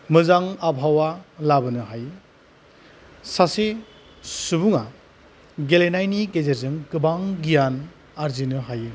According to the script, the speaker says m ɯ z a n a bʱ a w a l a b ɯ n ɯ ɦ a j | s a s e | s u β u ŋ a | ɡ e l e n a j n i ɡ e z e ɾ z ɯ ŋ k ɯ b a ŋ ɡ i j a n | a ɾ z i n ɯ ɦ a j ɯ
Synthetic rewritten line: m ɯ z a ŋ a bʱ a w a l a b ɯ n ɯ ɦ a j | s a s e | s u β u ŋ a | ɡ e l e n a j n i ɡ e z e ɾ z ɯ ŋ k ɯ b a ŋ ɡ i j a n | a ɾ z i n ɯ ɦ a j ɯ